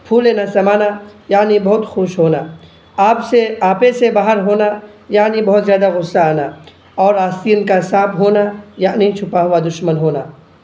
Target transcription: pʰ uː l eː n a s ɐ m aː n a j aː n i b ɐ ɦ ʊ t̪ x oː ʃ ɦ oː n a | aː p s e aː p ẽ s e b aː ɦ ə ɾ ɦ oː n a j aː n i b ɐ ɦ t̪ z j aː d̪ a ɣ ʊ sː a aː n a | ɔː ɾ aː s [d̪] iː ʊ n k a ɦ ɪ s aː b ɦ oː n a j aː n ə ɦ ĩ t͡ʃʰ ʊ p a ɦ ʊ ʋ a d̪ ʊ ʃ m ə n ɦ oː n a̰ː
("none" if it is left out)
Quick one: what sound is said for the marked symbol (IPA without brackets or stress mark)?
t̪